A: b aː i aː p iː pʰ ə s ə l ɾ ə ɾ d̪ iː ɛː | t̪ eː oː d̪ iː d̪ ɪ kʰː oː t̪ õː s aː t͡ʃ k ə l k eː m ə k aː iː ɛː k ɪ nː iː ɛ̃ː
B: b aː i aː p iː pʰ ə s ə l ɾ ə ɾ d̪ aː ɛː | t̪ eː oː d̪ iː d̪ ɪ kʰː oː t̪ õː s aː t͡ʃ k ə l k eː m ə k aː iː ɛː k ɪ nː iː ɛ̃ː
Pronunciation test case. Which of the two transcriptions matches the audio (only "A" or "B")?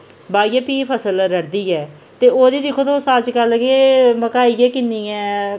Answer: A